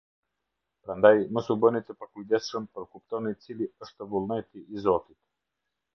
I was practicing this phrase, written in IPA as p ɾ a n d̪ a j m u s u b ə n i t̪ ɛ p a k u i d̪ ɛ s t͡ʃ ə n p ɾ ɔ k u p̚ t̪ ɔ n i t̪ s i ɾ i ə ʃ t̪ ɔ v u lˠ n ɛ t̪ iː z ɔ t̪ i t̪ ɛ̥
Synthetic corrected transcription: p ɾ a n d̪ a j m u s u b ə n i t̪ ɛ p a k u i d̪ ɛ s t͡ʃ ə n p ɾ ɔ k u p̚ t̪ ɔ n i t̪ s i l i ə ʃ t̪ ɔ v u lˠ n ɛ t̪ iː z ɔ t̪ i t̪ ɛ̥